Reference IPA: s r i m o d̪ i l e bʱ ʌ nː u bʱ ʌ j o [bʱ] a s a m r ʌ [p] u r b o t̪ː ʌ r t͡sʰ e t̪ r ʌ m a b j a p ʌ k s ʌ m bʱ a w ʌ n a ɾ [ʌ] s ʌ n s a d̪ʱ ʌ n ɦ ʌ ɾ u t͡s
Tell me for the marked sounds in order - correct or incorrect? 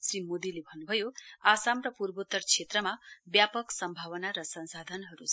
incorrect, correct, correct

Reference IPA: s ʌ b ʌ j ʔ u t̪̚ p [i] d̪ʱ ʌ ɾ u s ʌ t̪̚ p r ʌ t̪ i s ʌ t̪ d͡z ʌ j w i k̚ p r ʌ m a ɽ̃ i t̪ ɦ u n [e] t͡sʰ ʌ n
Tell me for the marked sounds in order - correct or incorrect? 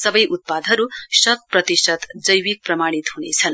incorrect, correct

